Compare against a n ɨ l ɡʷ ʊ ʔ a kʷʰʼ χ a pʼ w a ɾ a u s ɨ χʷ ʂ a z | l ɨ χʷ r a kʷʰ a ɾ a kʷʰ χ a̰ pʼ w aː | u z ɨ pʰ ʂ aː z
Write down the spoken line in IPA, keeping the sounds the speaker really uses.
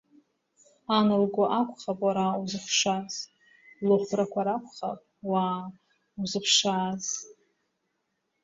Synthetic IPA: a n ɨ l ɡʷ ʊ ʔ a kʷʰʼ χ a pʼ w a ɾ a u z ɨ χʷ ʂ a z | l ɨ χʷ r a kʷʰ a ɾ a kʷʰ χ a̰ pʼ w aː | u z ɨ pʰ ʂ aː z